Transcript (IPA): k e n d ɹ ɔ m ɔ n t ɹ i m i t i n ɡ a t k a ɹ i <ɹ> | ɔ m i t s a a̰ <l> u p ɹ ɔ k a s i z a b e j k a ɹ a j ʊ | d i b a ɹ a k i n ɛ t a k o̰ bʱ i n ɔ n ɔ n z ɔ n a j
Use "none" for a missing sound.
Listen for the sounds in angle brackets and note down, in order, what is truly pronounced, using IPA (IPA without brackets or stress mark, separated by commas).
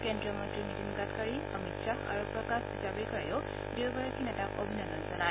none, ɹ